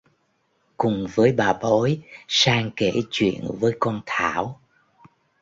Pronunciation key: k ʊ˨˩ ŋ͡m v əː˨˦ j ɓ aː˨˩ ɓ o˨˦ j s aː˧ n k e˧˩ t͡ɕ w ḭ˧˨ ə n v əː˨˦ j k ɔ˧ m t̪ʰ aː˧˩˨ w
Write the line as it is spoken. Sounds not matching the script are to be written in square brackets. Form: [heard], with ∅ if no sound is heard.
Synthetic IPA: k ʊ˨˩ ŋ͡m v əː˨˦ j ɓ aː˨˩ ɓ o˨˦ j s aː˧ [ŋ] k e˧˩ t͡ɕ w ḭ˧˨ ə n v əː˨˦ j k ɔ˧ [n] t̪ʰ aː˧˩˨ w